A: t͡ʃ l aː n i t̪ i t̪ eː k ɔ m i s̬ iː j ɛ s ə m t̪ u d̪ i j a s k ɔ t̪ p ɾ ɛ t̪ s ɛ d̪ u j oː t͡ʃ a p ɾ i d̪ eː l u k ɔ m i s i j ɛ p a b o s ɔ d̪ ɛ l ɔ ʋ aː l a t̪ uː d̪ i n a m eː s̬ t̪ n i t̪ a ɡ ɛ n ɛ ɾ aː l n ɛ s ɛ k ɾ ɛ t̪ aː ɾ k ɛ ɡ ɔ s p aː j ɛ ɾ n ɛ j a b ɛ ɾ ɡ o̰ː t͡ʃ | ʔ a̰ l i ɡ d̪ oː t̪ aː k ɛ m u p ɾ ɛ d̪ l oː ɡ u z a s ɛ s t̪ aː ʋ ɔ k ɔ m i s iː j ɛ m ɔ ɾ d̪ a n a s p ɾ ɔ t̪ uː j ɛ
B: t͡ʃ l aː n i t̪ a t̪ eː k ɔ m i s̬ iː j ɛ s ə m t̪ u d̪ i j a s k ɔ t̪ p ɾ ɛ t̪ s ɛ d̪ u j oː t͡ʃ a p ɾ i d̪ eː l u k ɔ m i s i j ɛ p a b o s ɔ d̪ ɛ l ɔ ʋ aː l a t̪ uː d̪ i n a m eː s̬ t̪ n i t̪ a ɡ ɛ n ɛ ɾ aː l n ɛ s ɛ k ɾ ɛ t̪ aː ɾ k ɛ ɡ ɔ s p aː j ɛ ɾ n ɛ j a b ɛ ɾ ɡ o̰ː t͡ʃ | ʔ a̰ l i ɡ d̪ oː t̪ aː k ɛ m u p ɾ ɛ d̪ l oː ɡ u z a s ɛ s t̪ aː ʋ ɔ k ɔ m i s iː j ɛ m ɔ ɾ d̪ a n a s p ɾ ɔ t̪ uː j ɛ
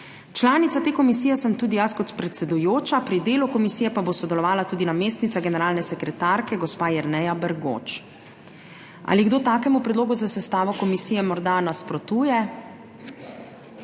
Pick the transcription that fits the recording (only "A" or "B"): B